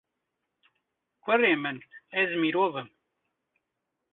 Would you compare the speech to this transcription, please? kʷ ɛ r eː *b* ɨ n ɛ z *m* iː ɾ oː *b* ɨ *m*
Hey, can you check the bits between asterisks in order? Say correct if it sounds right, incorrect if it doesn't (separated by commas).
incorrect, correct, incorrect, correct